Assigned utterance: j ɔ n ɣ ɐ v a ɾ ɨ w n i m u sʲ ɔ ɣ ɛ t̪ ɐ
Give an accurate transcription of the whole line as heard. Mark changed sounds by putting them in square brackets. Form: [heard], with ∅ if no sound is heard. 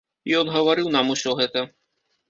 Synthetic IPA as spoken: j ɔ n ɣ ɐ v a ɾ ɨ w n [a] m u sʲ ɔ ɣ ɛ t̪ ɐ